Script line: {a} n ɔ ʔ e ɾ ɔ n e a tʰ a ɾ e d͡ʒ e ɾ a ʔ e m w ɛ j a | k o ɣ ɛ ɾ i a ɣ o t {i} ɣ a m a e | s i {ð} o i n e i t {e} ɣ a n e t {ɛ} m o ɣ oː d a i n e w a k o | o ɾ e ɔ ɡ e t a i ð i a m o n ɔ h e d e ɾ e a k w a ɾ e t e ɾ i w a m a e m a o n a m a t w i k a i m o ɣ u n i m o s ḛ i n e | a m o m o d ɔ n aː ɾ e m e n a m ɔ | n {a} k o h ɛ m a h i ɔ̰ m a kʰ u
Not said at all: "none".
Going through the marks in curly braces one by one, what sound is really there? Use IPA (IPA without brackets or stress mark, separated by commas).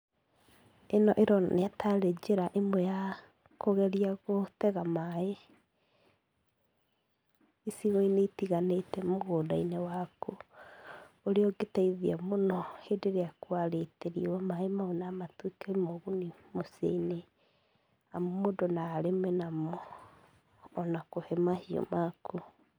e, ɛ, ɣ, i, ɛ, a